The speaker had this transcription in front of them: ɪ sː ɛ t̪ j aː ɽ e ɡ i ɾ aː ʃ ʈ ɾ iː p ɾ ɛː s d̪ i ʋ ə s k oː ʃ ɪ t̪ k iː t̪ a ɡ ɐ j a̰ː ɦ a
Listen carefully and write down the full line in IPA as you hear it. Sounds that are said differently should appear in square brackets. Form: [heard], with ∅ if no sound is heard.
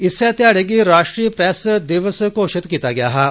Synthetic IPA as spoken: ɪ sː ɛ t̪ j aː ɽ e ɡ i ɾ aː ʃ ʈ ɾ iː p ɾ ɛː s d̪ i ʋ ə s k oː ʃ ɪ t̪ k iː t̪ a ɡ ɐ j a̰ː ɦ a